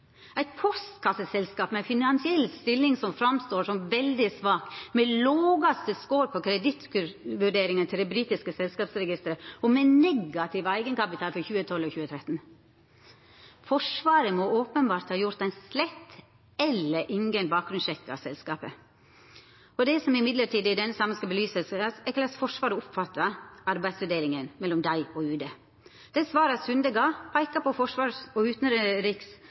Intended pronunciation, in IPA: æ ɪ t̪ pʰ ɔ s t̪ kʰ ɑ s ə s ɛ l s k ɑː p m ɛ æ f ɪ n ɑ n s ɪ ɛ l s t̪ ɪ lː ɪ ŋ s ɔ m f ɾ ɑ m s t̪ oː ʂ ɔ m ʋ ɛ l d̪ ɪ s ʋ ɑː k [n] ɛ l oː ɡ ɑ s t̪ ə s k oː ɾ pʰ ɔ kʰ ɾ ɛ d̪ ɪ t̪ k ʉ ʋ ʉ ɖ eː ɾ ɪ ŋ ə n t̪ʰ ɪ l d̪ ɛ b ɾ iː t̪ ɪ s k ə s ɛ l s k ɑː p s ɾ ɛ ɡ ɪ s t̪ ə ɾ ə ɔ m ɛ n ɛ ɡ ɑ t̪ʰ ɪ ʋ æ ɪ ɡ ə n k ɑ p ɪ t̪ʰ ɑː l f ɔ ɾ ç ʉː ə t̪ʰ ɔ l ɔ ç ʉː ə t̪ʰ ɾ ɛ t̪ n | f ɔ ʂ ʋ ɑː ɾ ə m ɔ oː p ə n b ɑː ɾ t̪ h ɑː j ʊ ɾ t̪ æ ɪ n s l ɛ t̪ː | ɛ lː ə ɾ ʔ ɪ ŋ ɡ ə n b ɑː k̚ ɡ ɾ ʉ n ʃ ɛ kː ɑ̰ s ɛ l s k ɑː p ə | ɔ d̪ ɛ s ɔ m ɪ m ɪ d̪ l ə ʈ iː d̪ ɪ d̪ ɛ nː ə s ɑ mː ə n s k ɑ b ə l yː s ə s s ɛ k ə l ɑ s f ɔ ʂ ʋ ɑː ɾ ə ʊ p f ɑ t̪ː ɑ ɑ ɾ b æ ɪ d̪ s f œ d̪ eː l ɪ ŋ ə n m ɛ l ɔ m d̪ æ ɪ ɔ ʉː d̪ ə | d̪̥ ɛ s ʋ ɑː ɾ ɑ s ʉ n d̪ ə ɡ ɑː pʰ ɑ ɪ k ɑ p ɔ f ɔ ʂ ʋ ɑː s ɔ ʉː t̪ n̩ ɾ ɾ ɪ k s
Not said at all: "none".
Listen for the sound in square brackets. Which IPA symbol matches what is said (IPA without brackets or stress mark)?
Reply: m